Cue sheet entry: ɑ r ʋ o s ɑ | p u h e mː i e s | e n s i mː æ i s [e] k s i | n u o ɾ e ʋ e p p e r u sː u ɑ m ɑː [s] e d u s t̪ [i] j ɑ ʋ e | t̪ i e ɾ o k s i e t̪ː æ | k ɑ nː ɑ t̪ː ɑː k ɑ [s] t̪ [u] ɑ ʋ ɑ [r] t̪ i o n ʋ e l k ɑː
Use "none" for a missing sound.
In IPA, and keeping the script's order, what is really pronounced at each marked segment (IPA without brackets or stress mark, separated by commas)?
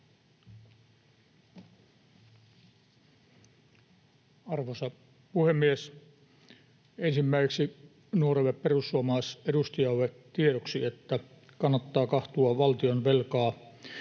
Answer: e, s, i, h, u, l